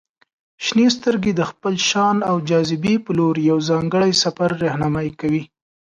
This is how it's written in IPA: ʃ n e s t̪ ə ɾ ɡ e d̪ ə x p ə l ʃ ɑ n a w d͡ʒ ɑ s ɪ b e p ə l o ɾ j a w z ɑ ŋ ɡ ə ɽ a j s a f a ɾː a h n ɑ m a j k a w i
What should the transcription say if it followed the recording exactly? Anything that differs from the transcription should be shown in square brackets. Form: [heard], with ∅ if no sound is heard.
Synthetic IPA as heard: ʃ n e s t̪ ə ɾ ɡ e d̪ ə x p ə l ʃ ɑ n a w d͡ʒ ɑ [z] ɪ b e p ə l o ɾ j a w z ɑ ŋ ɡ ə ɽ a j s a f a ɾː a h n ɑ m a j k a w i

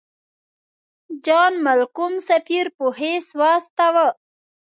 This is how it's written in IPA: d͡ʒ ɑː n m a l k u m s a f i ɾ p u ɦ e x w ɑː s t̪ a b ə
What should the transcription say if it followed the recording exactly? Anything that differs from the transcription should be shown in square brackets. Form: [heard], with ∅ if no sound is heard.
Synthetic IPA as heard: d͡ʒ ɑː n m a l k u m s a f i ɾ p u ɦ e [s] w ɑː s t̪ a [w] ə

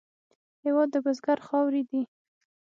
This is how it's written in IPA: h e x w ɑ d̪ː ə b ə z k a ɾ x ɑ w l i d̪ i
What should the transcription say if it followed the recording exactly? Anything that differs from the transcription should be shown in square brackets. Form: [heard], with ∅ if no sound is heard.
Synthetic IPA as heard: h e [∅] w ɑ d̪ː ə b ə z [ɡ] a ɾ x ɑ w [ɾ] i d̪ i

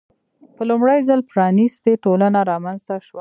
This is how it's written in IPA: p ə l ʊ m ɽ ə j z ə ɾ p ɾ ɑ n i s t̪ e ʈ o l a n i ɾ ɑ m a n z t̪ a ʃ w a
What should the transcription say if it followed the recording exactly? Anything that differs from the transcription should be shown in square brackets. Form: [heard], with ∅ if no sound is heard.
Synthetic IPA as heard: p ə l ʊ m ɽ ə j z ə [l] p ɾ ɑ n i s t̪ e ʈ o l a n [a] ɾ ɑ m a n z t̪ a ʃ w a

